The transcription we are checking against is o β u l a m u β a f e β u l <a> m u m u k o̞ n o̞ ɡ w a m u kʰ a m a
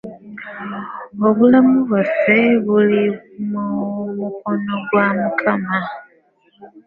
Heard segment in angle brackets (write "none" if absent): i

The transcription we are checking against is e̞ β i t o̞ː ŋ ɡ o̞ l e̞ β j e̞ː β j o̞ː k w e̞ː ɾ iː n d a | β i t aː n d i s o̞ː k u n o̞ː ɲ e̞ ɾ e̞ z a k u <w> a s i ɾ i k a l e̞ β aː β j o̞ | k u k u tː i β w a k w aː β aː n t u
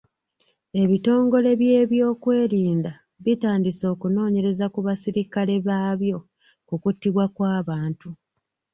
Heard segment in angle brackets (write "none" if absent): β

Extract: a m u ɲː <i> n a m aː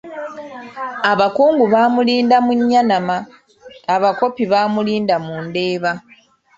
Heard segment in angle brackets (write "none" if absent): a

